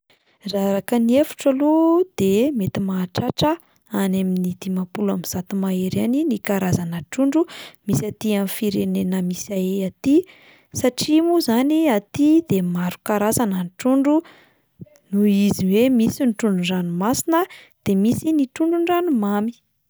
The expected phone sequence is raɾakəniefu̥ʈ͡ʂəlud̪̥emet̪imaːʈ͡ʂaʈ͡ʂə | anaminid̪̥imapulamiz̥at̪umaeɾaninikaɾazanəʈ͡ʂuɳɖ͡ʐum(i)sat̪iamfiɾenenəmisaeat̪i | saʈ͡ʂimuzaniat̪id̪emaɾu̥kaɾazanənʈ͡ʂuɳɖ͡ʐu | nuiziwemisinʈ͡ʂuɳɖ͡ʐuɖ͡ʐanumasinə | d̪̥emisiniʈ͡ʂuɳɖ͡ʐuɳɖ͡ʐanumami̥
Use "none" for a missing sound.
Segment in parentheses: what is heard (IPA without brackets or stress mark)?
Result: i